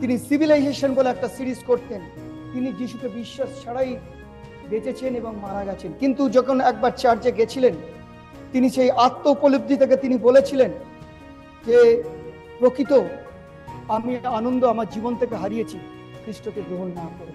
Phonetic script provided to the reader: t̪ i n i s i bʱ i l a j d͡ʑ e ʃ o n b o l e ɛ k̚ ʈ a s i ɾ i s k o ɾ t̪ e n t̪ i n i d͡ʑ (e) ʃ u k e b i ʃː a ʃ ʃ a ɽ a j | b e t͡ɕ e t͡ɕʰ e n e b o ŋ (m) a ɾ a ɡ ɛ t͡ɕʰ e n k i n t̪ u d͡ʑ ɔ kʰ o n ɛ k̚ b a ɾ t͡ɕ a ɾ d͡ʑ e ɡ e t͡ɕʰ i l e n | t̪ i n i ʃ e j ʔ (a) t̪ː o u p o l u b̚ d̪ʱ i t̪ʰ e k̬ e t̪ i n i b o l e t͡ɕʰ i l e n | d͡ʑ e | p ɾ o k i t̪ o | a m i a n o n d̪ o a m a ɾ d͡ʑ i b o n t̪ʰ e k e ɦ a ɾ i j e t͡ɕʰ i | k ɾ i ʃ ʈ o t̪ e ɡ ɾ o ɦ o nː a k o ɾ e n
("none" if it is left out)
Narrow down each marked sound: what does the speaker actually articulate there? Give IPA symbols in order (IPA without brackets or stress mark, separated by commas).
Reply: i, m, a